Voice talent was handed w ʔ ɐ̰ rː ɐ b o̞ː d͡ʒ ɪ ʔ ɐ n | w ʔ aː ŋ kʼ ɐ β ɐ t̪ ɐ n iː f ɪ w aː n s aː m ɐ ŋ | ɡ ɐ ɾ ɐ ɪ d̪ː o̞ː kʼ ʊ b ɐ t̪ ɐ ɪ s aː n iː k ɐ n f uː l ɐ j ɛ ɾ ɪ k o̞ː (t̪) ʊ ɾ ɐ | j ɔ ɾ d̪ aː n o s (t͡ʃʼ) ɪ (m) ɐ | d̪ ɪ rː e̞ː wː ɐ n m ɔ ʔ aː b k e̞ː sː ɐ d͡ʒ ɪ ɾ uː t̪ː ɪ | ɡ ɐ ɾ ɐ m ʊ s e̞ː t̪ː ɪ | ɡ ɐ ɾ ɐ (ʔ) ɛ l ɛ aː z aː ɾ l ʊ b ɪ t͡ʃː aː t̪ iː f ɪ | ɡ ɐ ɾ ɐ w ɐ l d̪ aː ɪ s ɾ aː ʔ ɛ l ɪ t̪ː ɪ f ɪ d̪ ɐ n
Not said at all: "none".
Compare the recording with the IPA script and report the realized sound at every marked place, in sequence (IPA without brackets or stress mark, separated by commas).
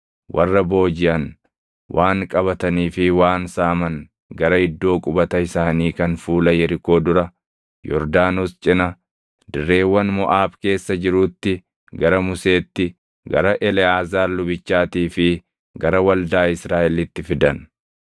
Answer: d̪, t͡ʃʼ, n, ʔ